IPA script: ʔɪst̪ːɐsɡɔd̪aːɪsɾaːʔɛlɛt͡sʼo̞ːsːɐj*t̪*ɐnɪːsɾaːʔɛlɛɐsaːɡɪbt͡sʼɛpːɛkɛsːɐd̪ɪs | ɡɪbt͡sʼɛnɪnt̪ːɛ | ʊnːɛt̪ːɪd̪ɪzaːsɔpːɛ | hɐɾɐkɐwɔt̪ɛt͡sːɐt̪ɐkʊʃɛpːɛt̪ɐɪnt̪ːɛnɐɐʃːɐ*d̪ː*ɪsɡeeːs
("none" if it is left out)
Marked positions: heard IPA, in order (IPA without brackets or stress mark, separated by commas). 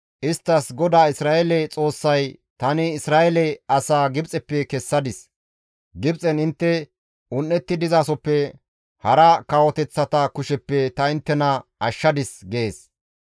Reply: t̪, d̪